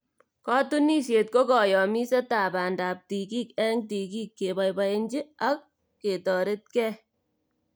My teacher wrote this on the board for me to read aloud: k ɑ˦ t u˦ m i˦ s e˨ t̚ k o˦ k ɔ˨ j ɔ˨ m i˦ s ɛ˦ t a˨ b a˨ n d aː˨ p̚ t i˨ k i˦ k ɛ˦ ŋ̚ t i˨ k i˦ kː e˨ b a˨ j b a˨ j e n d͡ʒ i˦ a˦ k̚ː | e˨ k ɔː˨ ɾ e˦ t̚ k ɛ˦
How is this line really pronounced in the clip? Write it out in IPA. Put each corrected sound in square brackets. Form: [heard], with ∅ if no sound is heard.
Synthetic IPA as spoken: k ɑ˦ t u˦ [n] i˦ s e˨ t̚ k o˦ k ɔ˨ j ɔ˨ m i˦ s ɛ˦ t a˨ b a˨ n d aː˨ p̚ t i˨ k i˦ k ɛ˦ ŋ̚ t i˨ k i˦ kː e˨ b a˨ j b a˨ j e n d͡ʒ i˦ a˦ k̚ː | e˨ [t] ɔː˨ ɾ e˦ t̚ k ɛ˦

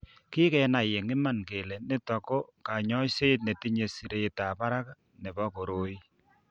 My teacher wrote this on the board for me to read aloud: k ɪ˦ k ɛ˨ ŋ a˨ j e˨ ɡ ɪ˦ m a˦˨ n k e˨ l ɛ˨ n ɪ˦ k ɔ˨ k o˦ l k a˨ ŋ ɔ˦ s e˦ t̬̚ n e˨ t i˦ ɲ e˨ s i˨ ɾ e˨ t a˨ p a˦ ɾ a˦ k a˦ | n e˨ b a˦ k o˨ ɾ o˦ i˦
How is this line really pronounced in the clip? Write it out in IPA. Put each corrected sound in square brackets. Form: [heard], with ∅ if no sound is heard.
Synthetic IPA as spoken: k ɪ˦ k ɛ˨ [n] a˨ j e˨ [ŋ] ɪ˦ m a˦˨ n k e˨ l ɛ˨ n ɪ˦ [t] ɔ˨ k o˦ [∅] k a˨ [ɲ] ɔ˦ s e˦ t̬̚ n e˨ t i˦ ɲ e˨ s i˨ ɾ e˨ t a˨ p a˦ ɾ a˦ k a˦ | n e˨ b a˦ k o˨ ɾ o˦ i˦

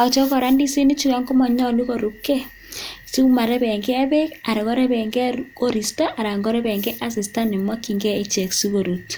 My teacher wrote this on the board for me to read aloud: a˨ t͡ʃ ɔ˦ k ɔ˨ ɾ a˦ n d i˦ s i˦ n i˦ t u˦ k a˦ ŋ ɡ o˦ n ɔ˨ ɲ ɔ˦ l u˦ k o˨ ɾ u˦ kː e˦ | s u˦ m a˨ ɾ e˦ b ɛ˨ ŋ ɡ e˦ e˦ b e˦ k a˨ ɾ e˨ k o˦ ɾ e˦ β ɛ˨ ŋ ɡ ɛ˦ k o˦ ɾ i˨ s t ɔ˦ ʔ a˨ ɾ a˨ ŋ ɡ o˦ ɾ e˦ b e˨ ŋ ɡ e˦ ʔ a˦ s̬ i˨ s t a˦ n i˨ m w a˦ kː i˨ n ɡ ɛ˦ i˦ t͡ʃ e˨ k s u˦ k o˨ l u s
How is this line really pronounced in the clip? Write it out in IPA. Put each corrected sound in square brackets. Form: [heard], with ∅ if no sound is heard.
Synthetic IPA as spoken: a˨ t͡ʃ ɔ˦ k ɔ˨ ɾ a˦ n d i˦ s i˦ n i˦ [t͡ʃ] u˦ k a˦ ŋ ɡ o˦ [m] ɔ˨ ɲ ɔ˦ l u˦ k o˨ ɾ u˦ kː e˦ | s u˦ m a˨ ɾ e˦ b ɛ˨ ŋ ɡ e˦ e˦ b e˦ k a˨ ɾ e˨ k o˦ ɾ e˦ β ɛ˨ ŋ ɡ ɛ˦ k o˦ ɾ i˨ s t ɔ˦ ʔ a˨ ɾ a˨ ŋ ɡ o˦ ɾ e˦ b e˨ ŋ ɡ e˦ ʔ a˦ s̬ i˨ s t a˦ n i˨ m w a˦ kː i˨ [ŋ] ɡ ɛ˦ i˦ t͡ʃ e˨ k s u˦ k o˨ [ɾ] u [t]

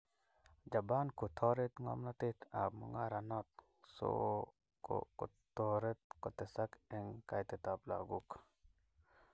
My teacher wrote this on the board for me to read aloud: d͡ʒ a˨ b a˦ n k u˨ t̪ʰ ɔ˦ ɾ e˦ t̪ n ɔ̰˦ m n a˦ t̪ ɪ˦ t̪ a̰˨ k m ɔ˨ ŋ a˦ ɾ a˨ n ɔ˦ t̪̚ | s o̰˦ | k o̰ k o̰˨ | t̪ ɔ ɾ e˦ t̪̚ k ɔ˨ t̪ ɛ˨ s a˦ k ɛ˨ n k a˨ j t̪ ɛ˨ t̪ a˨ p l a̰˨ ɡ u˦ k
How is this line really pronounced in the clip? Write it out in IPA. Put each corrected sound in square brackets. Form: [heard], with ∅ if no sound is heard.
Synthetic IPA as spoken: d͡ʒ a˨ b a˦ n k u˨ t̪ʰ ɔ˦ ɾ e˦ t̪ [ŋ] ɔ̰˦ m n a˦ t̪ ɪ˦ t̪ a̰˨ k m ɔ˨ ŋ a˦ ɾ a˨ n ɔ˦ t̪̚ | s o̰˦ | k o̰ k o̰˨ | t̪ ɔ ɾ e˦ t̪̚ k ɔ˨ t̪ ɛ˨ s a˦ k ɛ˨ [ŋ] k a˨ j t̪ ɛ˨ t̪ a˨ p l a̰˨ ɡ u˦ k

